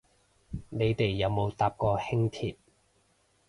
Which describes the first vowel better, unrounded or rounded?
unrounded